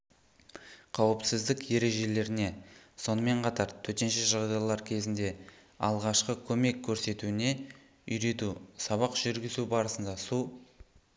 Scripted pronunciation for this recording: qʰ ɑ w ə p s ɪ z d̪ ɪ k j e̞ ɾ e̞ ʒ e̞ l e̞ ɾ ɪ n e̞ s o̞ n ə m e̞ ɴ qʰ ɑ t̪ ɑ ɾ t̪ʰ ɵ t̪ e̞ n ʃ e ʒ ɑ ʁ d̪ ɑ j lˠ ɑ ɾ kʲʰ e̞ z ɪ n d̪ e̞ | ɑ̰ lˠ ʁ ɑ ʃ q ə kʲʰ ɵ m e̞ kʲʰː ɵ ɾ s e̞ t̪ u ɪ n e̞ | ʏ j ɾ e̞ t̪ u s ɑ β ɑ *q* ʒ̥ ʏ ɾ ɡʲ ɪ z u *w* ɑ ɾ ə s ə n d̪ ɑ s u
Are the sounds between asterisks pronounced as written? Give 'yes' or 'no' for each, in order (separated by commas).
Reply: yes, no